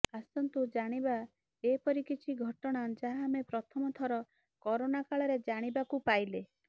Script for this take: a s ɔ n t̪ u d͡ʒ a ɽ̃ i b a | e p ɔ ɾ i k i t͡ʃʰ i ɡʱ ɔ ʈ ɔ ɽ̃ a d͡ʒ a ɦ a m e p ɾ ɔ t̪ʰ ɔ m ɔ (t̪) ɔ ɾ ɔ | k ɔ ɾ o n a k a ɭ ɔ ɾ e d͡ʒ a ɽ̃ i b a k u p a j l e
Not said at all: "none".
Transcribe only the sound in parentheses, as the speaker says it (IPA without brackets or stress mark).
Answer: t̪ʰ